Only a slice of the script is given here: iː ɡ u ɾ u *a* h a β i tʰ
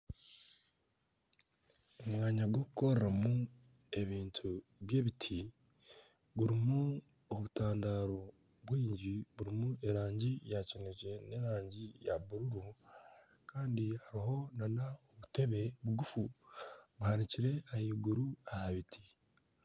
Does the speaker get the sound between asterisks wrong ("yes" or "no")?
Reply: no